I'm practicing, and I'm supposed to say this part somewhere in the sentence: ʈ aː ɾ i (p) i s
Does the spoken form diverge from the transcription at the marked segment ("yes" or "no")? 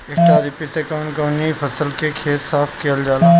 no